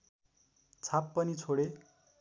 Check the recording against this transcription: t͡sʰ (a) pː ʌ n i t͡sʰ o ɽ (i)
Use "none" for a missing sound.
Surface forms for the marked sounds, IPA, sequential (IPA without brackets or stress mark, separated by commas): a, e